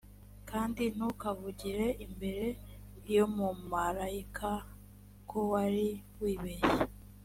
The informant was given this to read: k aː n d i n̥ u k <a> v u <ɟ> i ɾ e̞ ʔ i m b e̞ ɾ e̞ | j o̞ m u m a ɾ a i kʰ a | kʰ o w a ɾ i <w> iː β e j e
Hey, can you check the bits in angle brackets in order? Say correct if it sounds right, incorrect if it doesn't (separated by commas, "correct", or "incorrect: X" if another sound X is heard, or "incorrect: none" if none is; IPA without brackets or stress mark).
correct, correct, correct